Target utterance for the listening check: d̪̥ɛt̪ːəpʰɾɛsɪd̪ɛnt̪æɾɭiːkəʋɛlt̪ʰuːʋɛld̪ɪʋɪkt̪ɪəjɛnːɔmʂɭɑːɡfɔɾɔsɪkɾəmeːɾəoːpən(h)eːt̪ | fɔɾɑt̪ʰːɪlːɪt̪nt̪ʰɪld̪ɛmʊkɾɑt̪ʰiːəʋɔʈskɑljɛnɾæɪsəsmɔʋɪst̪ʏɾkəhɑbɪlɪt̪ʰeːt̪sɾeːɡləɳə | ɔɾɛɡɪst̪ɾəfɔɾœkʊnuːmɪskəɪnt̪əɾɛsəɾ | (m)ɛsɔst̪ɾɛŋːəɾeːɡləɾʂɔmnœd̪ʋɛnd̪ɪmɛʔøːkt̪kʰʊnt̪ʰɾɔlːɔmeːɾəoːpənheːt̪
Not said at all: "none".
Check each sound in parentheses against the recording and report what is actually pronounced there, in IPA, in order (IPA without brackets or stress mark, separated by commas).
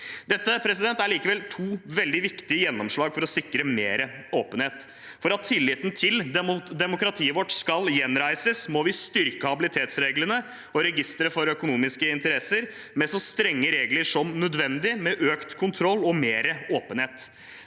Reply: h, m